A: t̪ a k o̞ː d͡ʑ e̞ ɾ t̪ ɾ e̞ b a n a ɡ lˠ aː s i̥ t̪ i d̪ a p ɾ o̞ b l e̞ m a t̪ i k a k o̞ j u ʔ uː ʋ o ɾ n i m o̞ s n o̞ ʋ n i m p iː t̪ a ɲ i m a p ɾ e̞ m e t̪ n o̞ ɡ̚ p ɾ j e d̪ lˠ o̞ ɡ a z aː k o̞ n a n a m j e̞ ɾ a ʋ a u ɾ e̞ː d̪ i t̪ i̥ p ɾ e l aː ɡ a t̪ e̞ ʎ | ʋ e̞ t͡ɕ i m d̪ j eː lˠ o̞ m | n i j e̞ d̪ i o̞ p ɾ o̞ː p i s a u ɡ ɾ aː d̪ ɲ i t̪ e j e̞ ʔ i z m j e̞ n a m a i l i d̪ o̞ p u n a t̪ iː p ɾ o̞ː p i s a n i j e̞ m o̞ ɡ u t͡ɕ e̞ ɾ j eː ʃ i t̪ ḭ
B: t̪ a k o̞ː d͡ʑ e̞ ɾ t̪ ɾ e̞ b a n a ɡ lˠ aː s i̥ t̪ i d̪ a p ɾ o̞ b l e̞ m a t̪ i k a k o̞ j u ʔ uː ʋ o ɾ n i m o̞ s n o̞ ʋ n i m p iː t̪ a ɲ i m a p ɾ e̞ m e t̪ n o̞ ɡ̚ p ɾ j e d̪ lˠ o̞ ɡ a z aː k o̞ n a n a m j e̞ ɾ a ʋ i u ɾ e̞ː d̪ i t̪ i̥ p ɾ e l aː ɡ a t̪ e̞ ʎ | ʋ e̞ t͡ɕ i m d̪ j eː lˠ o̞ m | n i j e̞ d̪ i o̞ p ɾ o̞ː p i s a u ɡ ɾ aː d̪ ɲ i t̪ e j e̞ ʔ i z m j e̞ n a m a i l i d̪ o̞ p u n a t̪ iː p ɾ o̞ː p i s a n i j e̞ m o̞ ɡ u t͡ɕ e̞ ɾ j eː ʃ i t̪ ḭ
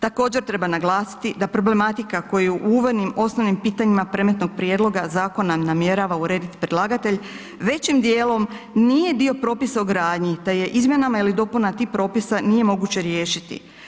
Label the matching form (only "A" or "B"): A